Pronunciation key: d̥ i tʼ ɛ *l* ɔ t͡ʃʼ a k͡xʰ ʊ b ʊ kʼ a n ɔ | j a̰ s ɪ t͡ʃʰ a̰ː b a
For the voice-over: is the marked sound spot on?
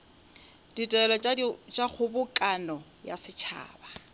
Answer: yes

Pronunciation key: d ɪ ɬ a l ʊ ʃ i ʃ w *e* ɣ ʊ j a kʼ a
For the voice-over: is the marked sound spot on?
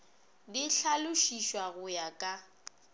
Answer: no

